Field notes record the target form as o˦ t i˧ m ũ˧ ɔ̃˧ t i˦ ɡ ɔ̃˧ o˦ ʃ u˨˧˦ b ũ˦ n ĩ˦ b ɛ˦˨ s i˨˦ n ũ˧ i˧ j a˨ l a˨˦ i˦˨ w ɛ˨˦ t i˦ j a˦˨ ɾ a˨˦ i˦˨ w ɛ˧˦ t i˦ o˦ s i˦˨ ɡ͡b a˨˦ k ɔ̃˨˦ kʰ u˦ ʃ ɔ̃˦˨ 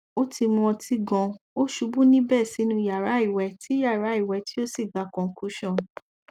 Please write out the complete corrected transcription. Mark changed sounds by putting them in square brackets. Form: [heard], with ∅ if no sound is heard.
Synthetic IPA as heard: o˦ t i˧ m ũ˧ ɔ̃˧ t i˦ ɡ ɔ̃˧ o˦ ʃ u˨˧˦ b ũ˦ n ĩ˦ b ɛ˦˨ s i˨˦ n ũ˧ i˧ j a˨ [ɾ] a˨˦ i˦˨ w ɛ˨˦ t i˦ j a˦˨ ɾ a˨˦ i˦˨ w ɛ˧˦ t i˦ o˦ s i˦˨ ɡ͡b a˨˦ k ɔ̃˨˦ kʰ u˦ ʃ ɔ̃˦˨